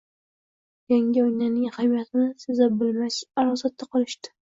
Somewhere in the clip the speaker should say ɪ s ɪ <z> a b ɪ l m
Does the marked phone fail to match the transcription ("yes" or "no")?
no